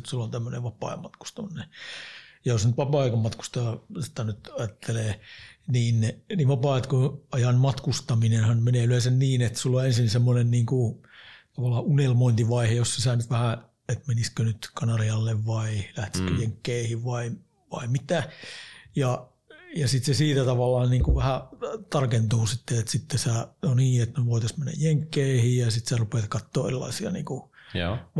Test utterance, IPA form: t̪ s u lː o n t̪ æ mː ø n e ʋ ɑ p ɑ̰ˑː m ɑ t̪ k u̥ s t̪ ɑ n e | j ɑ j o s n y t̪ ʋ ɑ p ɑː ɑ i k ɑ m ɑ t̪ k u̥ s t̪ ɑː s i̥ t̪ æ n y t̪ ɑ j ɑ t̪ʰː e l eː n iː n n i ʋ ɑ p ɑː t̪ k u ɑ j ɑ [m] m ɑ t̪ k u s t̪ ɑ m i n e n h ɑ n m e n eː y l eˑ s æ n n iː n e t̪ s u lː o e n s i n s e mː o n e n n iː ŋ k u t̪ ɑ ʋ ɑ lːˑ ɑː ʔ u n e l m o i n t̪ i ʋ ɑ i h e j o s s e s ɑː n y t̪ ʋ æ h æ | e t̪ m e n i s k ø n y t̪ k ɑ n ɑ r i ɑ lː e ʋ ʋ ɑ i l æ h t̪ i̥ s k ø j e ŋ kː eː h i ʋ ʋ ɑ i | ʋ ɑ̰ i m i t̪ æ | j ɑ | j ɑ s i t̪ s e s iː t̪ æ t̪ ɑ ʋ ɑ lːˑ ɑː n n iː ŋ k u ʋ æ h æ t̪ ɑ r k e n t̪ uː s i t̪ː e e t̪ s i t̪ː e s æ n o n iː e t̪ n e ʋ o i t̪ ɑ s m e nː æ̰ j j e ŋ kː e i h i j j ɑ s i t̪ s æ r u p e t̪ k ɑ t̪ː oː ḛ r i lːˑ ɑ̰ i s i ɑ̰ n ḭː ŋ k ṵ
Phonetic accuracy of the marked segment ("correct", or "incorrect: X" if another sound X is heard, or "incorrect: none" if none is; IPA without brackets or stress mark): incorrect: n